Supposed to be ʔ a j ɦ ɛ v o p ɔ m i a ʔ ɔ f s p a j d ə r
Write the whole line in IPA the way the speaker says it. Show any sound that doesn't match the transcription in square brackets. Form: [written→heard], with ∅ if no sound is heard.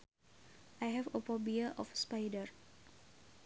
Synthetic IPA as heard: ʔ a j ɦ ɛ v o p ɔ [m→b] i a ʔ ɔ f s p a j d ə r